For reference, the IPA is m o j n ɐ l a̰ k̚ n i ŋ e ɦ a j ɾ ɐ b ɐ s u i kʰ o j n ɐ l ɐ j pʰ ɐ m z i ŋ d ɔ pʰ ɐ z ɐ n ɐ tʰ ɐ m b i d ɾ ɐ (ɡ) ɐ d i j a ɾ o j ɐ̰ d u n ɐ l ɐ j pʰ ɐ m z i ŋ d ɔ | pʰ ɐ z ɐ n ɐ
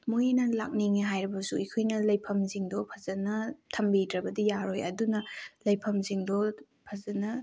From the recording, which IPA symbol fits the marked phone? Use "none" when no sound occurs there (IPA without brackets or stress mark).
b